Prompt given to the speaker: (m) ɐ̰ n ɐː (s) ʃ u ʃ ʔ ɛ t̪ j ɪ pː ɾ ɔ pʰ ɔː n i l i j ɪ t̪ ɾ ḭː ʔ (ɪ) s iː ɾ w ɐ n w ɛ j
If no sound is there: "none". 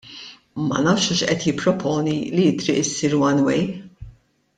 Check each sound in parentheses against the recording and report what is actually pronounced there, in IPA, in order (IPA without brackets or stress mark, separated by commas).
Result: m, f, ɪ